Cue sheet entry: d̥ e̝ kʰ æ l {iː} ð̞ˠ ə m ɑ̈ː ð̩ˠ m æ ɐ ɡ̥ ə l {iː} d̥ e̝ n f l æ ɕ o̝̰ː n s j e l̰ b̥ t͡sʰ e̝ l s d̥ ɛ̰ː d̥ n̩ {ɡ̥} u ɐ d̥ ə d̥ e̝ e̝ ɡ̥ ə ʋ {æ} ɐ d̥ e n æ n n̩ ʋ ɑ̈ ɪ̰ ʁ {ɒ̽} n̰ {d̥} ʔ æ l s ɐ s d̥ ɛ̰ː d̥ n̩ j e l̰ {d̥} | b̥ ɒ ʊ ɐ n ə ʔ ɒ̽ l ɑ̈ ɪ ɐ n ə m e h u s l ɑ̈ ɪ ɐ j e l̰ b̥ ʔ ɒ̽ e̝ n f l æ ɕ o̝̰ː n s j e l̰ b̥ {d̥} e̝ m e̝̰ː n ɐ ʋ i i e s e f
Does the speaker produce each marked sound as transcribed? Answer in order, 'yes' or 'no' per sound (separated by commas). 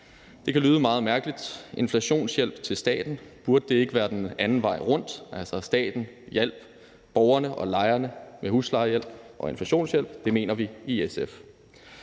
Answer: no, no, no, no, no, yes, no, yes